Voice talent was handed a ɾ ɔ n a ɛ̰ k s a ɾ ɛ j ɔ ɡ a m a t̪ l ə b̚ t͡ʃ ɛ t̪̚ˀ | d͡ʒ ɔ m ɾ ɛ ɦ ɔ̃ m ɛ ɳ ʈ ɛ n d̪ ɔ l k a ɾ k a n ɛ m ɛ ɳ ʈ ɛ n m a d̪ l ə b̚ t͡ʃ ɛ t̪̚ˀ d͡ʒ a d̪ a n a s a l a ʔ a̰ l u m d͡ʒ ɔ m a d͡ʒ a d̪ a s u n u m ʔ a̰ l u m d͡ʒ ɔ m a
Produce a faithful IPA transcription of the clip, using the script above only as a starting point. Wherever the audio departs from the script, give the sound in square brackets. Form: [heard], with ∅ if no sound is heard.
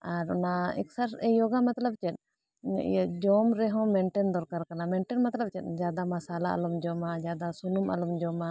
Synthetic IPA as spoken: a ɾ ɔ n a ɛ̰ k s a ɾ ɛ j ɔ ɡ a m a t̪ l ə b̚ t͡ʃ ɛ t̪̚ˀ | d͡ʒ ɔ m ɾ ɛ ɦ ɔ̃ m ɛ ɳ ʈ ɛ n d̪ ɔ [ɾ] k a ɾ k a n [a] m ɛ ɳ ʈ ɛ n m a [t̪] l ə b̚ t͡ʃ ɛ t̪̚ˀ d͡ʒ a d̪ a [m] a s a l a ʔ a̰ l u m d͡ʒ ɔ m a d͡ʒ a d̪ a s u n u m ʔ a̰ l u m d͡ʒ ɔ m a

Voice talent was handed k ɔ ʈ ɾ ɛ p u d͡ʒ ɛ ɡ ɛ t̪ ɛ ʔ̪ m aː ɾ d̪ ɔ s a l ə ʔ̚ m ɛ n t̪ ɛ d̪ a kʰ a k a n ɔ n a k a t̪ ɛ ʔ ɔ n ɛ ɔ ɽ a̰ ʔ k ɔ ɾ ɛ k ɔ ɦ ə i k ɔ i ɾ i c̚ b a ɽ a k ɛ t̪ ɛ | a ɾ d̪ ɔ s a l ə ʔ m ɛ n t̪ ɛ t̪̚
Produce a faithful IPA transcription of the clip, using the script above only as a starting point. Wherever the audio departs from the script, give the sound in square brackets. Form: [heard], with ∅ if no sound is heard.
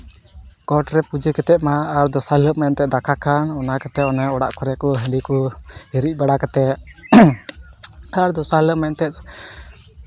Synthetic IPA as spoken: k ɔ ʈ ɾ ɛ p u d͡ʒ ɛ [k] ɛ t̪ ɛ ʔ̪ m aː ɾ d̪ ɔ s a l ə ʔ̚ m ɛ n t̪ ɛ d̪ a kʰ a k a n ɔ n a k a t̪ ɛ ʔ ɔ n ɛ ɔ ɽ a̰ ʔ k ɔ ɾ ɛ k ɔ ɦ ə i k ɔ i ɾ i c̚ b a ɽ a k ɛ t̪ ɛ | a ɾ d̪ ɔ s a l ə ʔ m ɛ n t̪ ɛ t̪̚

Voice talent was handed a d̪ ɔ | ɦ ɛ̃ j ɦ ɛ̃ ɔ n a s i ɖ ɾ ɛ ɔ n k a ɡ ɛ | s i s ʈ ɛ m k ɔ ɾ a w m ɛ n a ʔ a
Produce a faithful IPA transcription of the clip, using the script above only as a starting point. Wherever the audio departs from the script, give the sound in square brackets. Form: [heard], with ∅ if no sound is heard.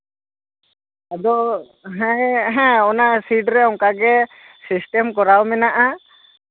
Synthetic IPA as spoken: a d̪ ɔ | ɦ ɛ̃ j ɦ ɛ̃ ɔ n a s i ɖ ɾ ɛ ɔ [ŋ] k a ɡ ɛ | s i s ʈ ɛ m k ɔ ɾ a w m ɛ n a ʔ a

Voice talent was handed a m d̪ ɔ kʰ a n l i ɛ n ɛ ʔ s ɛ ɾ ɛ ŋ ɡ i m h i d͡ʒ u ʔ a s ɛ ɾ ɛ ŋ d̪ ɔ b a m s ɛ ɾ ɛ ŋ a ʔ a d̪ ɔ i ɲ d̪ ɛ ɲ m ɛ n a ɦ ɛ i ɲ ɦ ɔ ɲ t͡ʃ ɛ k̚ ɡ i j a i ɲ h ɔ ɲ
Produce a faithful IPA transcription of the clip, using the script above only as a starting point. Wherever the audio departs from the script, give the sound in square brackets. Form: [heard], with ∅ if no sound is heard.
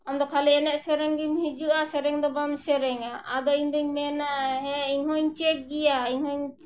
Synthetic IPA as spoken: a m d̪ ɔ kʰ a [∅] l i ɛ n ɛ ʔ s ɛ ɾ ɛ ŋ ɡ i m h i d͡ʒ u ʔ a s ɛ ɾ ɛ ŋ d̪ ɔ b a m s ɛ ɾ ɛ ŋ a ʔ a d̪ ɔ i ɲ d̪ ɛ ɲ m ɛ n a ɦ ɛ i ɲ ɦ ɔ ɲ t͡ʃ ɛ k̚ ɡ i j a i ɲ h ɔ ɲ

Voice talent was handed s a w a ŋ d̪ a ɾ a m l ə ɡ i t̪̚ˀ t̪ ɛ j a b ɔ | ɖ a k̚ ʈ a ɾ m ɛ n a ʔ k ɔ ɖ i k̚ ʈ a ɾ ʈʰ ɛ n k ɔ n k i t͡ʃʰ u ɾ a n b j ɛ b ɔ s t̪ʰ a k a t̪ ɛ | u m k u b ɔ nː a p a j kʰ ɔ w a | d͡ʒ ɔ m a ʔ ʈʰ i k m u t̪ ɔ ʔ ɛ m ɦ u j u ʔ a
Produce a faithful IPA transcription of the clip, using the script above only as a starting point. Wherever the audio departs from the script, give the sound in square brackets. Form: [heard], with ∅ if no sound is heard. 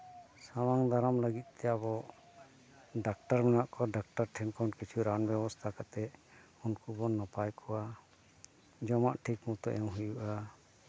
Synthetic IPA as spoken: s a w a ŋ d̪ a ɾ a m l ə ɡ i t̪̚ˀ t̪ ɛ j a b ɔ | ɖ a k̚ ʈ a ɾ m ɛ n a ʔ k ɔ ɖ [a] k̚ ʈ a ɾ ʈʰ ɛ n k ɔ n k i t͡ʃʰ u ɾ a n b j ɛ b ɔ s t̪ʰ a k a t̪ ɛ | u [n] k u b ɔ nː a p a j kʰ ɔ w a | d͡ʒ ɔ m a ʔ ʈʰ i k m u t̪ ɔ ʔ ɛ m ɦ u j u ʔ a

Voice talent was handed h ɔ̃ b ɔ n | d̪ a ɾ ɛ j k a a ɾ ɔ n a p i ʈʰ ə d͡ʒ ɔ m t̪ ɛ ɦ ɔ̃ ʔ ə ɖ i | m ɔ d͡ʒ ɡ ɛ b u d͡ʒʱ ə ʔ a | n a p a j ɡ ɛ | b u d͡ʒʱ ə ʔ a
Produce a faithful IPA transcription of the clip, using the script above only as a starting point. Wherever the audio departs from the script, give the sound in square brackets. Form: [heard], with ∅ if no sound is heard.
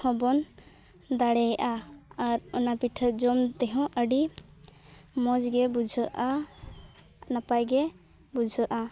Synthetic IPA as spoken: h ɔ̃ b ɔ n | d̪ a [ɽ] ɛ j [ʔ] a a ɾ ɔ n a p i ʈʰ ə d͡ʒ ɔ m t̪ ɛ ɦ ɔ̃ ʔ ə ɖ i | m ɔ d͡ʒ ɡ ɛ b u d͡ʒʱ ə ʔ a | n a p a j ɡ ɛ | b u d͡ʒʱ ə ʔ a

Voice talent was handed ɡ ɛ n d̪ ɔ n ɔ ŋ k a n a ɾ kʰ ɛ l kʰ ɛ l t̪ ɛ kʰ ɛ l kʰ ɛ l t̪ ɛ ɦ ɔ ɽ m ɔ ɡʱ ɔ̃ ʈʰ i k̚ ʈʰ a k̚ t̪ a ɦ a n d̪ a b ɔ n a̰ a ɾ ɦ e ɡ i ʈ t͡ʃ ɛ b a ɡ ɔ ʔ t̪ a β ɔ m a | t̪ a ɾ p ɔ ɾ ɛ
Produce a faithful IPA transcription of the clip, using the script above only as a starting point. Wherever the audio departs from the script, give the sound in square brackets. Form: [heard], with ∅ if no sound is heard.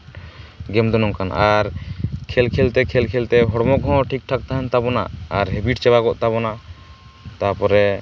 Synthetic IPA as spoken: ɡ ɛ [m] d̪ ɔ n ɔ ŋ k a n a ɾ kʰ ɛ l kʰ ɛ l t̪ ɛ kʰ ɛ l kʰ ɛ l t̪ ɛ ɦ ɔ ɽ m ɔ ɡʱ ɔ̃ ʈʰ i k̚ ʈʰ a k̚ t̪ a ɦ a n [t̪] a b ɔ n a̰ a ɾ ɦ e [b] i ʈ t͡ʃ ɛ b a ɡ ɔ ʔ t̪ a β ɔ [n] a | t̪ a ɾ p ɔ ɾ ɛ

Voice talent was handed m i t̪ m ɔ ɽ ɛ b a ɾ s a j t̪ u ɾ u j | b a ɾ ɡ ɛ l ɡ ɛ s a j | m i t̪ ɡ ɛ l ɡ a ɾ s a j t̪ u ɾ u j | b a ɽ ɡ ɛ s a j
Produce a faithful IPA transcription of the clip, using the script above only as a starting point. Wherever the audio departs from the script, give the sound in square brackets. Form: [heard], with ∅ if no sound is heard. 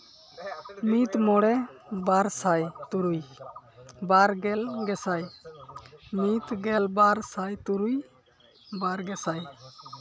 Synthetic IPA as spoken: m i t̪ m ɔ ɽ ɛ b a ɾ s a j t̪ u ɾ u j | b a ɾ ɡ ɛ l ɡ ɛ s a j | m i t̪ ɡ ɛ l [b] a ɾ s a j t̪ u ɾ u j | b a [ɾ] ɡ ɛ s a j

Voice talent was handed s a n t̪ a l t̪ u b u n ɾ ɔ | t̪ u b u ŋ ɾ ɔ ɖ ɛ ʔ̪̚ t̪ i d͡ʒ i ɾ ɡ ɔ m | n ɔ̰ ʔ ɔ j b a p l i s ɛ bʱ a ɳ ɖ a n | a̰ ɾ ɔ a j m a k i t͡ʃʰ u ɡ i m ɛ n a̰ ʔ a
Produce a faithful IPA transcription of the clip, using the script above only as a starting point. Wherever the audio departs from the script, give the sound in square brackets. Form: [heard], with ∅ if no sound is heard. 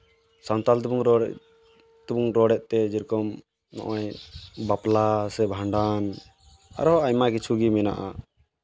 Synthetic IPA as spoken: s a n t̪ a l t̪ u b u [ŋ] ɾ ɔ | t̪ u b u ŋ ɾ ɔ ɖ ɛ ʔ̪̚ t̪ [ɛ] d͡ʒ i ɾ [k] ɔ m | n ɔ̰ ʔ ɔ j b a p l [a] s ɛ bʱ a ɳ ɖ a n | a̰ ɾ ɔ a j m a k i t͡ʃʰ u ɡ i m ɛ n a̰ ʔ a

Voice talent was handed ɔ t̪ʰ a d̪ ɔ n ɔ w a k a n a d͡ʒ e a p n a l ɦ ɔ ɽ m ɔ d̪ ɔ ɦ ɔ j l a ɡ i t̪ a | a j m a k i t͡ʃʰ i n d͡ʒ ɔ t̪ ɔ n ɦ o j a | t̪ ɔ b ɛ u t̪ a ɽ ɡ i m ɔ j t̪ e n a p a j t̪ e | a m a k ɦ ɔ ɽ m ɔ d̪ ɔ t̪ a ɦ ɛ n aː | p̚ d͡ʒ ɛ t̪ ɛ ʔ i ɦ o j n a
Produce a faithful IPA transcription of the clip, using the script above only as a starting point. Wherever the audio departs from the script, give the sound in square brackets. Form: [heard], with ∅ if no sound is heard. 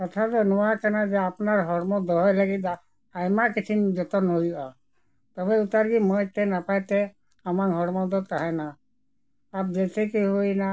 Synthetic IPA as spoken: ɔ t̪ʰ a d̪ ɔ n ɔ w a k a n a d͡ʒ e a p n a [ɾ] ɦ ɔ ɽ m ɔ d̪ ɔ ɦ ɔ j l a ɡ i t̪ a | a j m a k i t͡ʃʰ i n d͡ʒ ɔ t̪ ɔ n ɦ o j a | t̪ ɔ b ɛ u t̪ a [ɾ] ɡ i m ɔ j t̪ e n a p a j t̪ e | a m a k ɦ ɔ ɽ m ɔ d̪ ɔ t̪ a ɦ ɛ n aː | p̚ d͡ʒ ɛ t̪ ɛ [k] i ɦ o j n a

